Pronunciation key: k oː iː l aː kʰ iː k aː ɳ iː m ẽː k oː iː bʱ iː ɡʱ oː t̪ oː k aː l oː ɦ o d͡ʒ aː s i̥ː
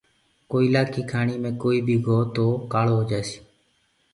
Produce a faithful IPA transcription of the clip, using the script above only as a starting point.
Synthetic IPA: k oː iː l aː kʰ iː kʰ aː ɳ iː m ẽː k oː iː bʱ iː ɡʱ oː t̪ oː k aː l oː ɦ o d͡ʒ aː s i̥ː